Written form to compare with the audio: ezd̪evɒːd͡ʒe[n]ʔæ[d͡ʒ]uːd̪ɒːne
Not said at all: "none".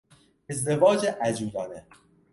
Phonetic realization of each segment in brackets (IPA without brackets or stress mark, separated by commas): none, d͡ʒ